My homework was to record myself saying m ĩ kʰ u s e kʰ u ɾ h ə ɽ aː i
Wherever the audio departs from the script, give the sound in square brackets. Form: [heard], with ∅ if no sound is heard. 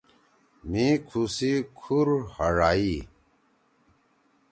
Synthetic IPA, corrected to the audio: m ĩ kʰ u s [i] kʰ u ɾ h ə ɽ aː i